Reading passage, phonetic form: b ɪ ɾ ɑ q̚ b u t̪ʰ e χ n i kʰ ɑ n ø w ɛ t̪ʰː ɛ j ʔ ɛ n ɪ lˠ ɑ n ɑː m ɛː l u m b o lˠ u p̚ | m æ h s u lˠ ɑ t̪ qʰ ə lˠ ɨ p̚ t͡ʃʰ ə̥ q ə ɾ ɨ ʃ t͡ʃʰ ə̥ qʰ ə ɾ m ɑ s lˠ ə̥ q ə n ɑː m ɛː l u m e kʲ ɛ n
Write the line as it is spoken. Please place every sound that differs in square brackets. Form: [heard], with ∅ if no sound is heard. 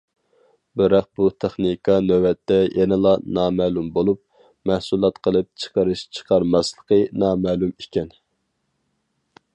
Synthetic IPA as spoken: b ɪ ɾ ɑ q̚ b u t̪ʰ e χ n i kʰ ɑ n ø w ɛ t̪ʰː ɛ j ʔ ɛ n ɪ lˠ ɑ n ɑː m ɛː l u m b o lˠ u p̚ | m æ h s u lˠ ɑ t̪ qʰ ə lˠ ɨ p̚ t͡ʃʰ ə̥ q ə ɾ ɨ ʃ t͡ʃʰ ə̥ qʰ [ɑ] ɾ m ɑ s lˠ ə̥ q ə n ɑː m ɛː l u m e kʲ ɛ n